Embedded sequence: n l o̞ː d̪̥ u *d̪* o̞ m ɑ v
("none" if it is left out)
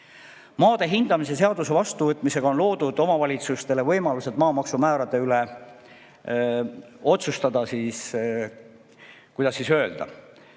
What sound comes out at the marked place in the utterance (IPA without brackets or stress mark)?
d̪